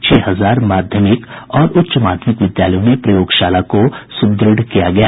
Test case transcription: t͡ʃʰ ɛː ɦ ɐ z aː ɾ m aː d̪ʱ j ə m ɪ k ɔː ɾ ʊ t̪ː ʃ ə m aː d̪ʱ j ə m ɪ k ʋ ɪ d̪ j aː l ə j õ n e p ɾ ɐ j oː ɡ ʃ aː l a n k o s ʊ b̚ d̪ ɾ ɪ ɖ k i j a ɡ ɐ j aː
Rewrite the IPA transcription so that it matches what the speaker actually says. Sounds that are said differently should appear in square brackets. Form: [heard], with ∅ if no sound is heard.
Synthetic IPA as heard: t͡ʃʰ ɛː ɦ ɐ z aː ɾ m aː d̪ʱ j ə m ɪ k ɔː ɾ ʊ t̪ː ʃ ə m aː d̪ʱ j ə m ɪ k ʋ ɪ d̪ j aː l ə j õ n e p ɾ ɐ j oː ɡ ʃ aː l a [∅] k o s ʊ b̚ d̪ ɾ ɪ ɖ k i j a ɡ ɐ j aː